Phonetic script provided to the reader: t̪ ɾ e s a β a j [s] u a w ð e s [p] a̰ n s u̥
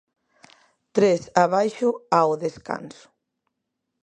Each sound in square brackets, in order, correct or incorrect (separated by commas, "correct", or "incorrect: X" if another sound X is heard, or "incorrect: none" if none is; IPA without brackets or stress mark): incorrect: ʃ, incorrect: k